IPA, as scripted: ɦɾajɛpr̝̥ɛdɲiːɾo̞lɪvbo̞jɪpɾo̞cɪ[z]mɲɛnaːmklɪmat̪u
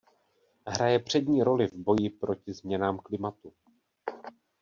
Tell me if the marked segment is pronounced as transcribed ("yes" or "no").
yes